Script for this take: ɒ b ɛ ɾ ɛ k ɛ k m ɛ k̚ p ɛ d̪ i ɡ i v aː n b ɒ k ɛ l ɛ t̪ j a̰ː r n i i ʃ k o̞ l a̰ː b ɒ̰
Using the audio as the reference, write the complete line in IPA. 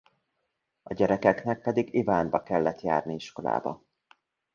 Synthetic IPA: ɒ ɟ ɛ ɾ ɛ k ɛ k n ɛ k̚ p ɛ d̪ i ɡ i v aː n b ɒ k ɛ lː ɛ t̪ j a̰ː r n i i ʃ k o̞ l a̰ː b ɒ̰